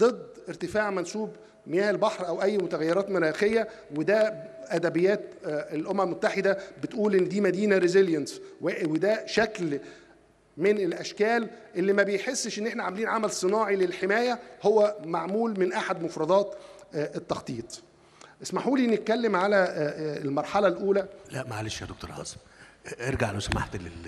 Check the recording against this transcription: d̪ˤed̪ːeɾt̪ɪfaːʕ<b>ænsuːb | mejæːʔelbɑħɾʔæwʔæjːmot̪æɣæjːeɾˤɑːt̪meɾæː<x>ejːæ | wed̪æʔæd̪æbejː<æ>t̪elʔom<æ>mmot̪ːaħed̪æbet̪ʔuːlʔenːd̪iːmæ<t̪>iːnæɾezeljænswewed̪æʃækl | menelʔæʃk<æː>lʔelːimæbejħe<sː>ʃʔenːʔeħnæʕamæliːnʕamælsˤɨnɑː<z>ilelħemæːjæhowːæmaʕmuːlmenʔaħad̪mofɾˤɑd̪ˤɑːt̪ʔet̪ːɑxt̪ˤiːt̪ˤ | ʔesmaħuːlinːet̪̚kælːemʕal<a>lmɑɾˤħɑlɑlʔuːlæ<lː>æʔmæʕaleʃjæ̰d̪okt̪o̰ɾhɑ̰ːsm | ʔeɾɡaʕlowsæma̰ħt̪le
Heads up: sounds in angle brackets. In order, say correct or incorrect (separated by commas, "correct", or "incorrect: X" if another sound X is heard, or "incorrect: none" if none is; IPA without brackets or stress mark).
incorrect: m, correct, incorrect: æː, correct, incorrect: d̪, correct, correct, incorrect: ʕ, incorrect: æ, incorrect: l